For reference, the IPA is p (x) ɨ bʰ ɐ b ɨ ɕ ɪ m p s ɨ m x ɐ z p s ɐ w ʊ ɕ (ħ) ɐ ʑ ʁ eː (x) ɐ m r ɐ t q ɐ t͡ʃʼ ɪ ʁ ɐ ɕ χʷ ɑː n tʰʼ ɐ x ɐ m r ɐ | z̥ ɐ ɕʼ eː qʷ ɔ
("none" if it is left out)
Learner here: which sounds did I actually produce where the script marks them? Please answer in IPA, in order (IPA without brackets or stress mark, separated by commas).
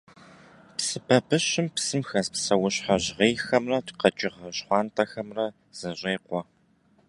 s, ħ, x